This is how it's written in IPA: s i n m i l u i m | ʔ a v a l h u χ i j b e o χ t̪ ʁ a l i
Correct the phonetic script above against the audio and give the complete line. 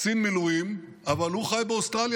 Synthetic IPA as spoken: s i n m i l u i m | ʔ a v a l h u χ a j b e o s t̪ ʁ a l j